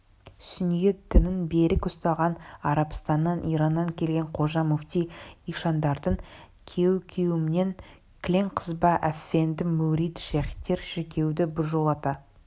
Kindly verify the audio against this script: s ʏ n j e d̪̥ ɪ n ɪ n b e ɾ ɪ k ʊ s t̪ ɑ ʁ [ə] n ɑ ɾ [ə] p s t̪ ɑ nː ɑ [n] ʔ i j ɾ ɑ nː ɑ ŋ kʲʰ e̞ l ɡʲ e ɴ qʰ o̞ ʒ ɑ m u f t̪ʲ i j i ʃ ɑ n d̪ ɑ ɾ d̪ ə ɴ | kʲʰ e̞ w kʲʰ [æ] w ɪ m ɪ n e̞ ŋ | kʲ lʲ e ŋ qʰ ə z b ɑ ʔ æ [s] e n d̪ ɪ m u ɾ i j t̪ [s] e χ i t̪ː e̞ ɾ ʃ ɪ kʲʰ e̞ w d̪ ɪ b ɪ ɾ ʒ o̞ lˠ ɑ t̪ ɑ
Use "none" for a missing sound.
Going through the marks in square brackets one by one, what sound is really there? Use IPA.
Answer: ɑ, ɑ, n, e, f, ʃ

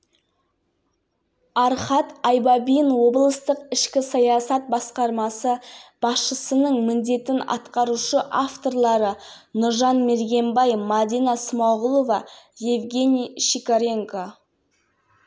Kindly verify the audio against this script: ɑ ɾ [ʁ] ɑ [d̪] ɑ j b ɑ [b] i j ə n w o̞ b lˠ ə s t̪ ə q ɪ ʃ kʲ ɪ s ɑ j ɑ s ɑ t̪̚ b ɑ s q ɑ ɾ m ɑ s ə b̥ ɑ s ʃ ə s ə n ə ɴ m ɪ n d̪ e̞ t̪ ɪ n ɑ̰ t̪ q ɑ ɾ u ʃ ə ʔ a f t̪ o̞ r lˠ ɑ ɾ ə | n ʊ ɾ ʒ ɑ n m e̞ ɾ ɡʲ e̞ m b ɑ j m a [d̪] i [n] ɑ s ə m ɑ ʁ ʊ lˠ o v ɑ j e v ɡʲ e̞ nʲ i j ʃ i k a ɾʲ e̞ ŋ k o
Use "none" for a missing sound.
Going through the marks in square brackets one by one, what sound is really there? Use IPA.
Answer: χ, t̪, b, d̪, n

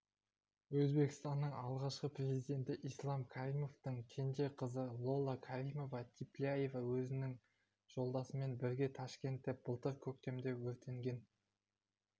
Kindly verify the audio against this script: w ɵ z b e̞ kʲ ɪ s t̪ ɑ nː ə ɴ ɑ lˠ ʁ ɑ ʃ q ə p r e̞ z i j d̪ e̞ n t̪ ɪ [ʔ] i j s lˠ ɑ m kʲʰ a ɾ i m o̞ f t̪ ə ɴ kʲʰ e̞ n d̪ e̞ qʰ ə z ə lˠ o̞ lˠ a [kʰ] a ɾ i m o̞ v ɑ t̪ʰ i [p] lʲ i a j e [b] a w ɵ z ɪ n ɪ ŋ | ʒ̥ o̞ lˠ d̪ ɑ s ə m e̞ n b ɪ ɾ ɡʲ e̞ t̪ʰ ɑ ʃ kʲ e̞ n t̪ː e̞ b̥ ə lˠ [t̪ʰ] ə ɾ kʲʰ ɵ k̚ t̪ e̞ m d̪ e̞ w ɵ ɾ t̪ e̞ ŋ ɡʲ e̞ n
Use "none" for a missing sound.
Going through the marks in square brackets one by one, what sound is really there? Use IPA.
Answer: ʔ, kʰ, p, v, t̪

